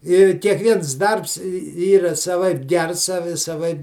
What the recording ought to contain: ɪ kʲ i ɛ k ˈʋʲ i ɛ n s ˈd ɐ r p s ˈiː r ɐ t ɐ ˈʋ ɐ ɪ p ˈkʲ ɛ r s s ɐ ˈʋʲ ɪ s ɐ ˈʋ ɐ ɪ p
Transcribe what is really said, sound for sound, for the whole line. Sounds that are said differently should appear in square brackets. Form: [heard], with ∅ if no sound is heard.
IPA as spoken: ɪ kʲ i ɛ k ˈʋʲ i ɛ n s ˈd ɐ r p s ˈiː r ɐ [s] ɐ ˈʋ ɐ ɪ p [ˈɡʲ] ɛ r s s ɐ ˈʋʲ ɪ s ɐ ˈʋ ɐ ɪ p

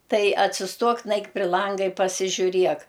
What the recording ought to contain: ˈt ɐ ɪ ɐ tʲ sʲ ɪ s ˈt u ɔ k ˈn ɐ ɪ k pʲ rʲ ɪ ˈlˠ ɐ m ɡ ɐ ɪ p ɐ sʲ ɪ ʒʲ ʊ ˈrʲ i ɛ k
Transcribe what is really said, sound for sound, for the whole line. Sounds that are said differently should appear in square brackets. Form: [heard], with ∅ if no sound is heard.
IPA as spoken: ˈt ɐ ɪ ɐ tʲ sʲ ɪ s ˈt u ɔ k ˈn ɐ ɪ k pʲ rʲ ɪ ˈlˠ ɐ [ŋ] ɡ ɐ ɪ p ɐ sʲ ɪ ʒʲ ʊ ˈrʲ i ɛ k

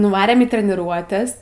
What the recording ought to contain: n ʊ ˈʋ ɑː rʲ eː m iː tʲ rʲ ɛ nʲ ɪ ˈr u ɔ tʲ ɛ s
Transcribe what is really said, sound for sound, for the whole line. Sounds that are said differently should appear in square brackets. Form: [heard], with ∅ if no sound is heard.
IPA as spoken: n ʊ ˈʋ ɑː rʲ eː m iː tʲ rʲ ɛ nʲ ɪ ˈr u ɔ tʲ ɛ s

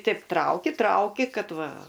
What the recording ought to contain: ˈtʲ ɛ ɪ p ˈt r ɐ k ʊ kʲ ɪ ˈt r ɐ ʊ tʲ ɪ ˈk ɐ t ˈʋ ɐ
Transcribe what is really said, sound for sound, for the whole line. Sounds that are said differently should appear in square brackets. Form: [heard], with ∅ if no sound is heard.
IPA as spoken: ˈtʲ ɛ ɪ p ˈt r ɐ [∅] ʊ kʲ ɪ ˈt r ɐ ʊ [kʲ] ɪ ˈk ɐ t ˈʋ ɐ

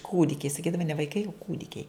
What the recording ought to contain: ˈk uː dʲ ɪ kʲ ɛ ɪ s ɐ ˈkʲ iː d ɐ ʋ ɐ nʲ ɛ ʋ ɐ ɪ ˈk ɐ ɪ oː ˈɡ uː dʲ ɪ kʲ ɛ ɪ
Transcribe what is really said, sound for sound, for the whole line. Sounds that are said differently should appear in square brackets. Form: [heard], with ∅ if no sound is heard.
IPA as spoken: ˈk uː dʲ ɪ kʲ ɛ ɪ s ɐ ˈkʲ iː d ɐ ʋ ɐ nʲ ɛ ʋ ɐ ɪ ˈk ɐ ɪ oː [ˈk] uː dʲ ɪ kʲ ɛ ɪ

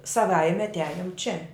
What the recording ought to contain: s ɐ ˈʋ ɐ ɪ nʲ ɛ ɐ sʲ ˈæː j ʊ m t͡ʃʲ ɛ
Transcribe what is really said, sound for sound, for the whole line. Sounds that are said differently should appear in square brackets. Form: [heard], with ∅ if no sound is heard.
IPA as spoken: s ɐ ˈʋ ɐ ɪ [mʲ] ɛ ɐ [tʲ] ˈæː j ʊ m t͡ʃʲ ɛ

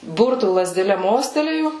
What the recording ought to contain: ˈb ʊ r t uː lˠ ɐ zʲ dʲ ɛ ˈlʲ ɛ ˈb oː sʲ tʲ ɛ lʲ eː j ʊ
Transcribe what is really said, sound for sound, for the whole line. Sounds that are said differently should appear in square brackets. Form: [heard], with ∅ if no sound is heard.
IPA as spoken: ˈb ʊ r t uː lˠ ɐ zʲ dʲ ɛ ˈlʲ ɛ [ˈm] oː sʲ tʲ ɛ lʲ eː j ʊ

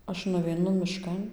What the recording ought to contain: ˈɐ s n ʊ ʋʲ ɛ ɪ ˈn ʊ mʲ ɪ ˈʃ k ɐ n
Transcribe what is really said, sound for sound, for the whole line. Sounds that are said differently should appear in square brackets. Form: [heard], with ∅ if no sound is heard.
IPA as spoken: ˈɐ [ʃ] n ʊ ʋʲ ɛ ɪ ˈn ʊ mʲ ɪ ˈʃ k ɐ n

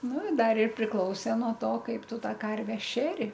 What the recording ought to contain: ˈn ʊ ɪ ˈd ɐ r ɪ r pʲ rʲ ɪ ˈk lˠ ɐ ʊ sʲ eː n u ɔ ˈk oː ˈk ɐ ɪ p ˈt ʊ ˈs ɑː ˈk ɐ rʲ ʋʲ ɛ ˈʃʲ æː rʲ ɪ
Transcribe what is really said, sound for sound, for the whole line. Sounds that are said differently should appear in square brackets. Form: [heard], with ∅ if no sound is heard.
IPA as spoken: ˈn ʊ ɪ ˈd ɐ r ɪ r pʲ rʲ ɪ ˈk lˠ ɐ ʊ sʲ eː n u ɔ [ˈt] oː ˈk ɐ ɪ p ˈt ʊ [ˈt] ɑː ˈk ɐ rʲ ʋʲ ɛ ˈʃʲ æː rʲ ɪ

